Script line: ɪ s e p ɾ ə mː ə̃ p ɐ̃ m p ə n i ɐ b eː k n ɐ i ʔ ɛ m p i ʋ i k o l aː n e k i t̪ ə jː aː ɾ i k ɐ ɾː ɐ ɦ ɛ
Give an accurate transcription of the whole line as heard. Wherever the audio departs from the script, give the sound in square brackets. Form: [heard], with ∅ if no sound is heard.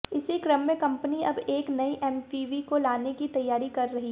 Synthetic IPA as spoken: ɪ s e [k] ɾ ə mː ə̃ [k] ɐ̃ m p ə n i ɐ b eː k n ɐ i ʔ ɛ m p i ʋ i k o l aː n e k i t̪ [ɐ] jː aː ɾ i k ɐ ɾː ɐ ɦ [i]